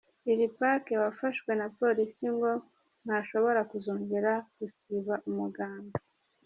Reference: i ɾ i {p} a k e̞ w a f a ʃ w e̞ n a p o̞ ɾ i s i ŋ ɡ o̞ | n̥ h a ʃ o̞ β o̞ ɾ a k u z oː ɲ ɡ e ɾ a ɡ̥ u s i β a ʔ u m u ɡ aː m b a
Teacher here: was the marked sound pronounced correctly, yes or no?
yes